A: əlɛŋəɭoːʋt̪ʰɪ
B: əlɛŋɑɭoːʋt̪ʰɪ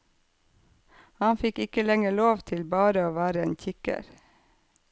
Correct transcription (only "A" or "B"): A